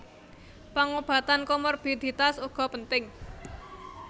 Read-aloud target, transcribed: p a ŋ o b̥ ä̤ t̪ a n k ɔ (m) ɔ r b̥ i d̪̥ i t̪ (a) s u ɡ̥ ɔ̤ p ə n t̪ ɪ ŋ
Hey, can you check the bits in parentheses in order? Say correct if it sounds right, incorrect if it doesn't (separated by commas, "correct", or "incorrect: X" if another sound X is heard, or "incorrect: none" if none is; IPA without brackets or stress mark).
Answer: correct, correct